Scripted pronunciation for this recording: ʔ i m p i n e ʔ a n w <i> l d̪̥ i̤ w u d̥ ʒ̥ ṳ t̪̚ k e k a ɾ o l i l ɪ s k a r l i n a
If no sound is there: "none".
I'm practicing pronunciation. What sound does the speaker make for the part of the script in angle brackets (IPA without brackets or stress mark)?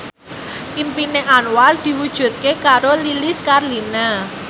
a